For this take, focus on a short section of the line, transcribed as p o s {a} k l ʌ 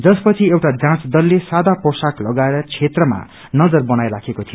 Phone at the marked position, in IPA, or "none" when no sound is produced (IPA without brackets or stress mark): a